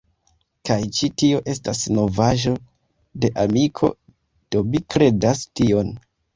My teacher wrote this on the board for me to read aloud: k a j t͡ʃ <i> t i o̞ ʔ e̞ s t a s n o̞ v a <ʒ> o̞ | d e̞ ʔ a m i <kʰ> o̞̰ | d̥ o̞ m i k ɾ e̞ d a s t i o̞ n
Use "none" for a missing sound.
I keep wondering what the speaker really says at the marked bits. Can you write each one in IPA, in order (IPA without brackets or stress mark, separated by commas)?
i, ʒ, kʰ